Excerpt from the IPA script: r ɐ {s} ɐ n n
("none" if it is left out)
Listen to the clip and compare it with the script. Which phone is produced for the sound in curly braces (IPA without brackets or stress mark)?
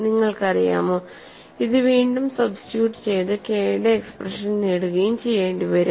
ʂ